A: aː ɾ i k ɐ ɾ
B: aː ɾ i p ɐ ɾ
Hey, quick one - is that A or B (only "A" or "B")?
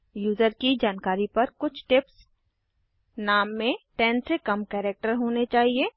B